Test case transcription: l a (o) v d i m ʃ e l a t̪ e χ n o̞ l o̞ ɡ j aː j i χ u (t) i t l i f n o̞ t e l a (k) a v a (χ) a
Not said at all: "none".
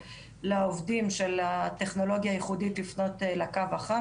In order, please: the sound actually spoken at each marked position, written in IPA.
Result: o, d, k, χ

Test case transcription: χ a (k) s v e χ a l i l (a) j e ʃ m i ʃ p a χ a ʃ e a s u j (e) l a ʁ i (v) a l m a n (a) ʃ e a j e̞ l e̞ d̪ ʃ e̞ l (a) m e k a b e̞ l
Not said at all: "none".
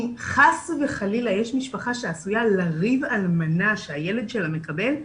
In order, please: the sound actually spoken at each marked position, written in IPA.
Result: none, a, a, v, a, a

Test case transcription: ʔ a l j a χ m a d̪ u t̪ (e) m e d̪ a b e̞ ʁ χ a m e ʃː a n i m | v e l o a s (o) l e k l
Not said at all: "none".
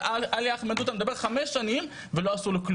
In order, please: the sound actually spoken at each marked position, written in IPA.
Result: a, u

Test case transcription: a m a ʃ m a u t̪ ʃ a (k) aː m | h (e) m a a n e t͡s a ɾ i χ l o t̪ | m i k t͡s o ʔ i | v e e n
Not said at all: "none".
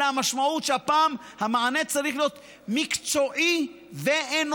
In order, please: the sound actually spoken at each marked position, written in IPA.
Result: p, a

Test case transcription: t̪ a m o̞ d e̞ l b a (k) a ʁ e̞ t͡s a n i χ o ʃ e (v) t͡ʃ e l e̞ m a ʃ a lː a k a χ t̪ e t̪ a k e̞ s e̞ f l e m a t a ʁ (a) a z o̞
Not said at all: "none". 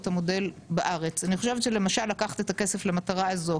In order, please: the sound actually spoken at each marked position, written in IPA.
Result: ʔ, v, a

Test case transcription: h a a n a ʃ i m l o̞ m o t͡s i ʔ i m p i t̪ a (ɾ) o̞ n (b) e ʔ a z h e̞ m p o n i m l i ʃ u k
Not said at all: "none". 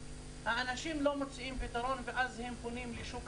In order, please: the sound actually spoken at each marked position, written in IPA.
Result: ɾ, v

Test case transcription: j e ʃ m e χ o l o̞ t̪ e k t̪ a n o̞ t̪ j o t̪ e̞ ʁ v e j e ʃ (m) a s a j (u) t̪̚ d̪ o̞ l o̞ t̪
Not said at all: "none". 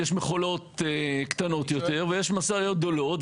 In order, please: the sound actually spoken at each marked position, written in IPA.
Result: m, o

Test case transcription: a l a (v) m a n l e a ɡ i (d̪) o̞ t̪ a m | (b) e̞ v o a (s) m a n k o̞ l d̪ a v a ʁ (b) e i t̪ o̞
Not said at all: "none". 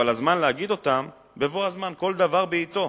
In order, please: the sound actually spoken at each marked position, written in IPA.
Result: z, d̪, b, z, b

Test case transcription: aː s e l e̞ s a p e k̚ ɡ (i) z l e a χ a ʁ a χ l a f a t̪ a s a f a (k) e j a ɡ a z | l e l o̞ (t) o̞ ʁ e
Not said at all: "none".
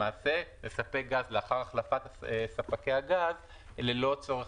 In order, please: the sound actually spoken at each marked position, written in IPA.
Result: a, k, t͡s

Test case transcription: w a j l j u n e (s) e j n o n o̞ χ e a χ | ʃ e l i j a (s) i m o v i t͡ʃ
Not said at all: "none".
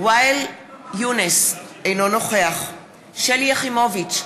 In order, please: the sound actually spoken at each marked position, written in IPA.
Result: s, χ

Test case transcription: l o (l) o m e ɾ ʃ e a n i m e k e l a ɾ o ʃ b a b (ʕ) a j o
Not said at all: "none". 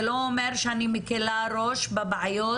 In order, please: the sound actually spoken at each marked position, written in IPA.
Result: none, ʕ

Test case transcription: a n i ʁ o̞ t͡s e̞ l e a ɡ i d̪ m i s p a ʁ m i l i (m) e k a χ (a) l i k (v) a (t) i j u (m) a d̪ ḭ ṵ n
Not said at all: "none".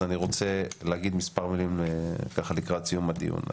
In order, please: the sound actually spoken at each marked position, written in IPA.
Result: m, a, ʁ, t͡s, m

